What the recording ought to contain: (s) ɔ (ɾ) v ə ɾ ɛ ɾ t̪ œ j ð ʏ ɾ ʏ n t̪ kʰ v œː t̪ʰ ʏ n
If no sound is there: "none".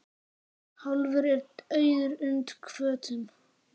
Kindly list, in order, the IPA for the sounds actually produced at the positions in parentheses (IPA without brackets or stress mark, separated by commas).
h, l